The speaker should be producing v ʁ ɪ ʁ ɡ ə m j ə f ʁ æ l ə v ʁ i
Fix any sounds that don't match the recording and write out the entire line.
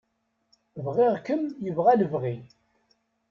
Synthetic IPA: v ʁ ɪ ʁ k ə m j ə v ʁ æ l ə v ʁ i